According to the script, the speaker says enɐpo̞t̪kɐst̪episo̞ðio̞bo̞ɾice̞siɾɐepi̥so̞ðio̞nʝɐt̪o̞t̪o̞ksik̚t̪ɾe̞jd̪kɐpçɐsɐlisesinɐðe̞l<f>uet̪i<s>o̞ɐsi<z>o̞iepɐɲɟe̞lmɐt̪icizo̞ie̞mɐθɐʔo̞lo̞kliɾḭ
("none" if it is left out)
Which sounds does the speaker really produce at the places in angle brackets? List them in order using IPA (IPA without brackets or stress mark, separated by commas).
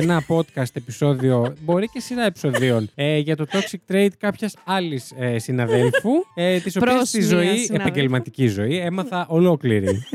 f, s, z